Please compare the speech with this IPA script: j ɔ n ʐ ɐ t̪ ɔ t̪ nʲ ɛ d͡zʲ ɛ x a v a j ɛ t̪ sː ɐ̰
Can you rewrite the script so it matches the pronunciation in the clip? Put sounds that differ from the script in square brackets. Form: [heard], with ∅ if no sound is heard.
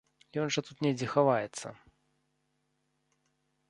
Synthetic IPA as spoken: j ɔ n ʐ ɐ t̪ [u] t̪ nʲ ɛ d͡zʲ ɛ x a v a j ɛ t̪ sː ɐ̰